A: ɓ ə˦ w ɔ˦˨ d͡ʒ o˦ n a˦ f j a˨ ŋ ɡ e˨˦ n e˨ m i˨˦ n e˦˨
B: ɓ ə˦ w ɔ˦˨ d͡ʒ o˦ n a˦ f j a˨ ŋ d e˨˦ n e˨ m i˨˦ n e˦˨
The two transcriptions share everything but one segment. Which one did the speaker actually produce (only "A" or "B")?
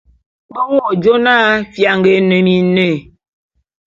A